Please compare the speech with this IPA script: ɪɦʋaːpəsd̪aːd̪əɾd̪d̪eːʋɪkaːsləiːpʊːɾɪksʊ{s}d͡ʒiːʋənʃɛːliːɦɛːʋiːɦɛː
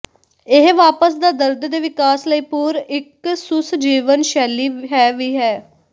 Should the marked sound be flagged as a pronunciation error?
no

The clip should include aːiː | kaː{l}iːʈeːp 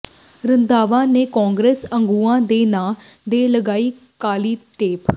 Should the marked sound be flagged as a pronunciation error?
no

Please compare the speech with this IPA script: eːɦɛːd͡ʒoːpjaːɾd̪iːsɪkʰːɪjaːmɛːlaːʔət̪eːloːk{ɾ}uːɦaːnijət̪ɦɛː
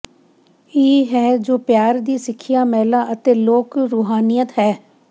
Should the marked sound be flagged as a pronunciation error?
no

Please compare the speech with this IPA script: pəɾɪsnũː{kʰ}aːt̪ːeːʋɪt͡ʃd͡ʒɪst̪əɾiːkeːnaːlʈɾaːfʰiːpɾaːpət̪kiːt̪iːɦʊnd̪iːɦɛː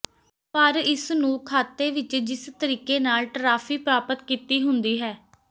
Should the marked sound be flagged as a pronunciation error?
no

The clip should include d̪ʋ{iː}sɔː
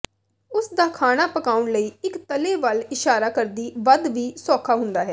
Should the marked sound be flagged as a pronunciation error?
no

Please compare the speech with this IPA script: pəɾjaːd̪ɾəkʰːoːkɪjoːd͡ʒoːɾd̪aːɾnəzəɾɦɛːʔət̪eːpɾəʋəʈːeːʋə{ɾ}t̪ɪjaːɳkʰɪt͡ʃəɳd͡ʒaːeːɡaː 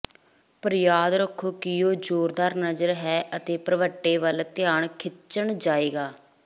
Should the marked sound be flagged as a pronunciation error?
yes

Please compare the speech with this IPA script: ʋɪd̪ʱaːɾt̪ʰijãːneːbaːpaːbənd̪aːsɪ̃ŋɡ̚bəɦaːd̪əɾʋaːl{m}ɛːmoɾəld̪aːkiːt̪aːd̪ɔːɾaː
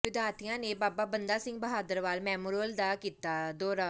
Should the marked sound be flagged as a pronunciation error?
no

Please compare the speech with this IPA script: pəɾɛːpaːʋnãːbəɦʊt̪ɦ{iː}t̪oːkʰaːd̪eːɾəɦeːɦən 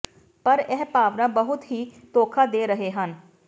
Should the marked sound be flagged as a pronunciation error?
no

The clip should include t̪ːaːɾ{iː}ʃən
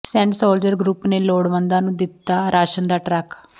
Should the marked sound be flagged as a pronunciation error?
yes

